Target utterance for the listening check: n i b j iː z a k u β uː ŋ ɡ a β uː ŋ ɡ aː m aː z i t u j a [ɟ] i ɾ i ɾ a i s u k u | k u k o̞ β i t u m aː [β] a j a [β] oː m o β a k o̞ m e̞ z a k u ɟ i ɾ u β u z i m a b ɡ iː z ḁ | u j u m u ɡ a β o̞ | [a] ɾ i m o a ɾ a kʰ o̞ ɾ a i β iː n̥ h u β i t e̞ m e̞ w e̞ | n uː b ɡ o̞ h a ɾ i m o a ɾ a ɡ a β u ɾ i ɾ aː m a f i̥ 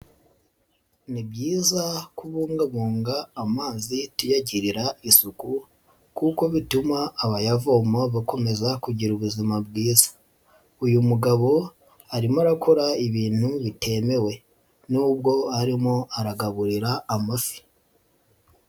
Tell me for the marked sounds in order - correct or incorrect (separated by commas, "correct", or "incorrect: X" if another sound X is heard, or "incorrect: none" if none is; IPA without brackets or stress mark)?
correct, correct, incorrect: v, correct